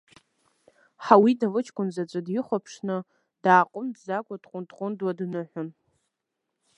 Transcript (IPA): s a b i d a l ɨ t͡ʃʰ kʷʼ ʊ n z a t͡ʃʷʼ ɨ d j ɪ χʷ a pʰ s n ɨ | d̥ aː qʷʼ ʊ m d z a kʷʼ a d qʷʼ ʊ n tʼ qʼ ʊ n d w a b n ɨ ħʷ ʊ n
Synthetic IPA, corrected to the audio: ħ a w i d a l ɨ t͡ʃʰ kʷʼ ʊ n z a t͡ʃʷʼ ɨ d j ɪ χʷ a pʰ ʂ n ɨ | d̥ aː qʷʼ ʊ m d z a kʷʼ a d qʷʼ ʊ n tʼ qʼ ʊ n d w a d n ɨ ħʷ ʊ n